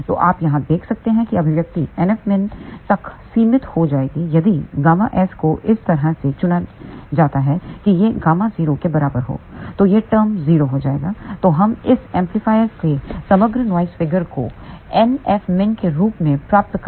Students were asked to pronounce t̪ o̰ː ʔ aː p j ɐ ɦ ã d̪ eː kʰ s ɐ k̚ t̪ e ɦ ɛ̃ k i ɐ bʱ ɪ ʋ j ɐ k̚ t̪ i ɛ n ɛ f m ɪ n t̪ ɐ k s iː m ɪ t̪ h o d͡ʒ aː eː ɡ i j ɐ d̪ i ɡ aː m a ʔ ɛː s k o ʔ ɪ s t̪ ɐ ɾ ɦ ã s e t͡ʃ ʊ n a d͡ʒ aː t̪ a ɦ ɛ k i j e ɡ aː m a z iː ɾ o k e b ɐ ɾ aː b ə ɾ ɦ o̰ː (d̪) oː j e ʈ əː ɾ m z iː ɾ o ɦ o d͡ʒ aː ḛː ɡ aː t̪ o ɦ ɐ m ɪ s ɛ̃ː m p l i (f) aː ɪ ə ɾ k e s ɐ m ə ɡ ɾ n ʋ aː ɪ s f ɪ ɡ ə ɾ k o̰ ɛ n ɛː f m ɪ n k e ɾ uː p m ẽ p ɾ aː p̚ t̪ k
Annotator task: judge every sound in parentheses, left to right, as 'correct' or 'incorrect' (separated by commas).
incorrect, correct